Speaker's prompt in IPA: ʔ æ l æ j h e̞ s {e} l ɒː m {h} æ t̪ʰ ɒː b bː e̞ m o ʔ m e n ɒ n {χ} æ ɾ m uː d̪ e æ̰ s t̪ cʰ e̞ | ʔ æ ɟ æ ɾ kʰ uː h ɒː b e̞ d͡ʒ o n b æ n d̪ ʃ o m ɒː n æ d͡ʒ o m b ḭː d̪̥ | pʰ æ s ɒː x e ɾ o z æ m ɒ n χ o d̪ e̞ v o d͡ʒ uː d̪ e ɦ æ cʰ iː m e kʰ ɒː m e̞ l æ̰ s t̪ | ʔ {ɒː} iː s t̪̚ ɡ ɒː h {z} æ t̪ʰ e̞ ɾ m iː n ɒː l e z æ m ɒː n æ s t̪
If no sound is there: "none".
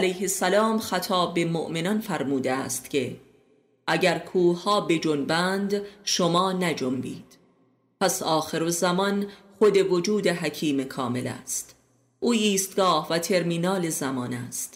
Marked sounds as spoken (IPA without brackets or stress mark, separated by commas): æ, x, f, uː, v